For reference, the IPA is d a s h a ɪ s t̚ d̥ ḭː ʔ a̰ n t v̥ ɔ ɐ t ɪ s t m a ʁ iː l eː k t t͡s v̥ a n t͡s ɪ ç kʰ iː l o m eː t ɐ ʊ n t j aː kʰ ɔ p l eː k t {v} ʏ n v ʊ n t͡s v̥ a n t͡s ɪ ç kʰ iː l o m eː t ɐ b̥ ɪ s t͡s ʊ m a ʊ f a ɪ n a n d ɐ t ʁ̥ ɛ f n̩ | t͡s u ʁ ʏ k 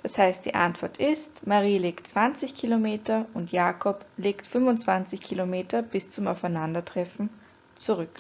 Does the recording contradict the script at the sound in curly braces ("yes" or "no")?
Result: yes